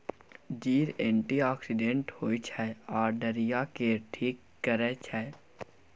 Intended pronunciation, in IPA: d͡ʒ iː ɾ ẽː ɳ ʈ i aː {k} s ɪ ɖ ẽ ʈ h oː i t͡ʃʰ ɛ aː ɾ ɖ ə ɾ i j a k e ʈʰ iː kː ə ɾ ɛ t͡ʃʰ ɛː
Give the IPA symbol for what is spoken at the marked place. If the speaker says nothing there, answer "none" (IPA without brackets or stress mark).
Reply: k